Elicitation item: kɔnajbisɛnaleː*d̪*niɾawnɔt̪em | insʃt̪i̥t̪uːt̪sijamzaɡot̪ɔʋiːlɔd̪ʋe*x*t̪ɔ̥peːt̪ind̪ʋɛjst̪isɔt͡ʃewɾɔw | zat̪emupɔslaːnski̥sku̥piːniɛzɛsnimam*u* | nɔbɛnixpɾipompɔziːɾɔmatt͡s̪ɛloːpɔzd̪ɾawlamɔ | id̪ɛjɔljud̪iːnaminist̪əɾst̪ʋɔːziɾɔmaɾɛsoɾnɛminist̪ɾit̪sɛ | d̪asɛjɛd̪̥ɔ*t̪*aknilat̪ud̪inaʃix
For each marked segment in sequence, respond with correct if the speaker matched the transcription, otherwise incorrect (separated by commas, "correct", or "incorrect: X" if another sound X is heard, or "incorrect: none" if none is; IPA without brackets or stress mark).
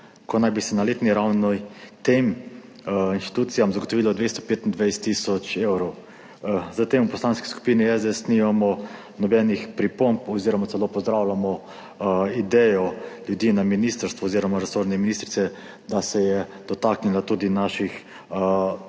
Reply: incorrect: t̪, incorrect: s, incorrect: ɔ, correct